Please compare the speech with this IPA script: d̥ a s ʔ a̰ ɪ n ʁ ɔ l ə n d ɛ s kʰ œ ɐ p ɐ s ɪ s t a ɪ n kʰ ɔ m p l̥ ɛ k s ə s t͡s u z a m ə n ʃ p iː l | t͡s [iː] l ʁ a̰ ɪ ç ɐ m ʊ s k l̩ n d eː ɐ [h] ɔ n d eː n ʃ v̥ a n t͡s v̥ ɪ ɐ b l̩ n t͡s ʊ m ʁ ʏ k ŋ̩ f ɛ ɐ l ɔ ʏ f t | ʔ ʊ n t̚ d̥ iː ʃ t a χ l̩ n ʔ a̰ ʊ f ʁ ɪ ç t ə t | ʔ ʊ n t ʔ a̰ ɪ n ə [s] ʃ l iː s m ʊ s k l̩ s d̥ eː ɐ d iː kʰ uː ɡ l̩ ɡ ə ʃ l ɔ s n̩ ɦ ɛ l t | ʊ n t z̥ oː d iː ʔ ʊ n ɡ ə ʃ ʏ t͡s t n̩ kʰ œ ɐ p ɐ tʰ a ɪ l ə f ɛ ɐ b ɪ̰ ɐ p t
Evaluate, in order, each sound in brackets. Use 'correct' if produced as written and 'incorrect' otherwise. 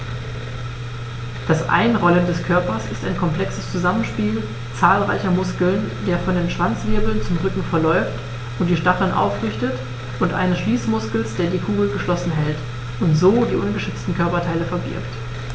incorrect: aː, incorrect: f, correct

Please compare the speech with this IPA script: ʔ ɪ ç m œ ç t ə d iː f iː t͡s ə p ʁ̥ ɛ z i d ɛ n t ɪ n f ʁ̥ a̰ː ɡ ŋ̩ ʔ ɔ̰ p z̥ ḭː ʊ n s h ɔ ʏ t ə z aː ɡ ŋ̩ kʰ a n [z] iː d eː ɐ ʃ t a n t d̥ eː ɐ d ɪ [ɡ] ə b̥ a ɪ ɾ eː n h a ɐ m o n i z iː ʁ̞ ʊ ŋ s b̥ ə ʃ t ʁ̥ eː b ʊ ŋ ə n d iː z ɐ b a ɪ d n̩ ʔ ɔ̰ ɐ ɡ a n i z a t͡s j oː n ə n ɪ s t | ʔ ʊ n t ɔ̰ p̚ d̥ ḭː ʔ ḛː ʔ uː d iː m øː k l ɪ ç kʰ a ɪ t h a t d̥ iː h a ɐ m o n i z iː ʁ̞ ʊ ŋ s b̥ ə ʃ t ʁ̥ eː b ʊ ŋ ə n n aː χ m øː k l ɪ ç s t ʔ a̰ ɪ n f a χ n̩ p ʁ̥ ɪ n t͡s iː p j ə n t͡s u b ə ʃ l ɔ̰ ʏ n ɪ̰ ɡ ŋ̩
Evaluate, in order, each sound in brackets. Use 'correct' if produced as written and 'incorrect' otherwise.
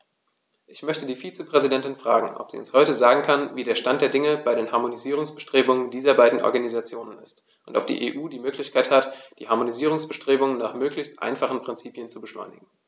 incorrect: v, incorrect: ŋ

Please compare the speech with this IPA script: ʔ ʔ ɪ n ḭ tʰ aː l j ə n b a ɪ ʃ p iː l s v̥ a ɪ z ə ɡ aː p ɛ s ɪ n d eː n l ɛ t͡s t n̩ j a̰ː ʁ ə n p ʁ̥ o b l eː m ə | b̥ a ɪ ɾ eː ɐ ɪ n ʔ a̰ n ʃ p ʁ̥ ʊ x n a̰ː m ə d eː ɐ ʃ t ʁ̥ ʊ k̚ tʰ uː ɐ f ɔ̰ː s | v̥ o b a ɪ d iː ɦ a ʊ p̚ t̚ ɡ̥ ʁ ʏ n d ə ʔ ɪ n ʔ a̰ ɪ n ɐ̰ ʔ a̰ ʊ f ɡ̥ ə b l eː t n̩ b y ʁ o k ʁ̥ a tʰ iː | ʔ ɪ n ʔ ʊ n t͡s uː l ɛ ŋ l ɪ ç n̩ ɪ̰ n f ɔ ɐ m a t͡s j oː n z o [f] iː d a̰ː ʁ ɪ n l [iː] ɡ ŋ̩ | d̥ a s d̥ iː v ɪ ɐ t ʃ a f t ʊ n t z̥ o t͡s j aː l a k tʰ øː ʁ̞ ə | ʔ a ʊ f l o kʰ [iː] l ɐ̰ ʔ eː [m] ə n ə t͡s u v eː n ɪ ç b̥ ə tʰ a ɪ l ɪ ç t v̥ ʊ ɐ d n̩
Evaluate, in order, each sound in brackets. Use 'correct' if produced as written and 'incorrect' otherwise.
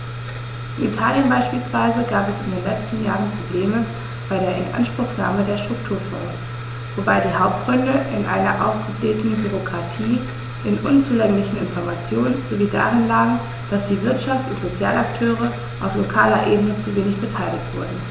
incorrect: v, incorrect: aː, incorrect: aː, incorrect: b

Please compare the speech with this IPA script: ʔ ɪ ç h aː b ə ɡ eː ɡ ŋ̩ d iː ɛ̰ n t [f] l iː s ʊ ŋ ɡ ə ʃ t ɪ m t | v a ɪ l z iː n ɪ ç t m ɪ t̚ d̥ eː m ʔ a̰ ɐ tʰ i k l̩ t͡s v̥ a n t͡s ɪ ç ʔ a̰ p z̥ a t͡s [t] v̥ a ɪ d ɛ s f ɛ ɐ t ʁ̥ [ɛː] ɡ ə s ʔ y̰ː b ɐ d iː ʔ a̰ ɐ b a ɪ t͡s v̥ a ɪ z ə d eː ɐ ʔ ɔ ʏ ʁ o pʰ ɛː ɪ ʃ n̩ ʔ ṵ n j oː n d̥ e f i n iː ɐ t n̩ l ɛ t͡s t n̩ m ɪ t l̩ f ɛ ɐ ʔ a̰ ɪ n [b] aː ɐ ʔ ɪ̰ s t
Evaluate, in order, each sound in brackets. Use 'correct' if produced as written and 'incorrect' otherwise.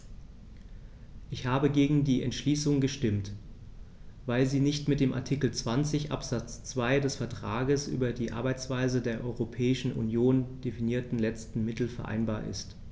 incorrect: ʃ, incorrect: t͡s, incorrect: aː, correct

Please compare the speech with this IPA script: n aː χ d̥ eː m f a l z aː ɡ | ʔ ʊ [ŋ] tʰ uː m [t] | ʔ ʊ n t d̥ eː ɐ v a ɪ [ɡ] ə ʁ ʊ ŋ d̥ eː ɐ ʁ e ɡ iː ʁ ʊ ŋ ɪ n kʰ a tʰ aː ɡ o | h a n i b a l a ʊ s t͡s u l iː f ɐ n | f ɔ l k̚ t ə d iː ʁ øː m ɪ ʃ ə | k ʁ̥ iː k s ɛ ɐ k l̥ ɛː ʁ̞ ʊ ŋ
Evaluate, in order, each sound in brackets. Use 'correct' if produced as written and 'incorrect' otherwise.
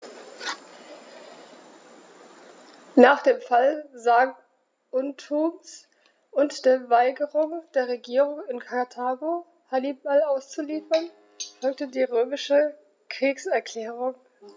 incorrect: n, incorrect: s, correct

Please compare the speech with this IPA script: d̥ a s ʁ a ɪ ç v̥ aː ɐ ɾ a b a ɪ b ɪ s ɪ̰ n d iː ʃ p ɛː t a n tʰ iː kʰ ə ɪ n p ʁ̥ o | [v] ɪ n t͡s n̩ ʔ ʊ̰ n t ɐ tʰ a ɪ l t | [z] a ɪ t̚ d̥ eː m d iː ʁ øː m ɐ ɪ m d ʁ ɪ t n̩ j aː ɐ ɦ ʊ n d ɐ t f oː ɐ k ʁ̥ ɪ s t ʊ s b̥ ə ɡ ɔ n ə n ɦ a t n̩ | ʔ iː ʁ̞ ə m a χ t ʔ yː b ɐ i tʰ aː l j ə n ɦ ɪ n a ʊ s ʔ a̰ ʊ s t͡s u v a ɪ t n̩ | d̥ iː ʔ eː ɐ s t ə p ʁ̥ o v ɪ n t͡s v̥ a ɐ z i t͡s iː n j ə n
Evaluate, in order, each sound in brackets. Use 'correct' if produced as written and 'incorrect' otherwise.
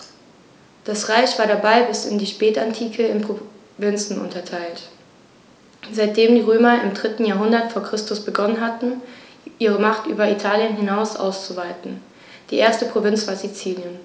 correct, correct

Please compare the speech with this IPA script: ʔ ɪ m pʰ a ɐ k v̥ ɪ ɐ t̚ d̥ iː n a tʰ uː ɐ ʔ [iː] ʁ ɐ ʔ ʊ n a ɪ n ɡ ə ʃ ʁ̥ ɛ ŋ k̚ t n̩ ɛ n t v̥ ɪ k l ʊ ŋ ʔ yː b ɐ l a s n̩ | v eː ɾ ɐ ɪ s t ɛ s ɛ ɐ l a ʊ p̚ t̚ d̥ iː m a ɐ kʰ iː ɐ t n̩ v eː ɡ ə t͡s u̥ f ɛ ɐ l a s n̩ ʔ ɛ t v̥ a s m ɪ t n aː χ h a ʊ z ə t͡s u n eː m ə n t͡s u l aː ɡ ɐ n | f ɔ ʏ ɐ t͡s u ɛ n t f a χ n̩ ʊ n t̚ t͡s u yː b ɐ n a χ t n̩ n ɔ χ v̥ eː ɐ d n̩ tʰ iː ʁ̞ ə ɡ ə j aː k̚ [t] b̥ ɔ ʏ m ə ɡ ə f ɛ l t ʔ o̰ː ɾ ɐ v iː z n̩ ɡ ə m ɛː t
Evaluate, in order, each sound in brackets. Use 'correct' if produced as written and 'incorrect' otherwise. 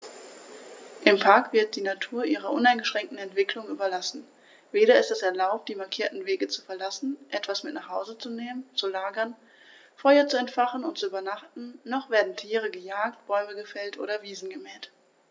correct, correct

